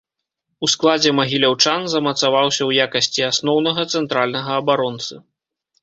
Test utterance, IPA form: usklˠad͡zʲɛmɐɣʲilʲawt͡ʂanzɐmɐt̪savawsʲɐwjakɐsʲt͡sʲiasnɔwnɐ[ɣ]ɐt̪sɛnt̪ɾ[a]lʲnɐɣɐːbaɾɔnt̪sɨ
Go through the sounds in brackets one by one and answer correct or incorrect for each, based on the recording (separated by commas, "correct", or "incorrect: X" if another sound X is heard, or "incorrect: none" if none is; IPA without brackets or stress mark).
correct, correct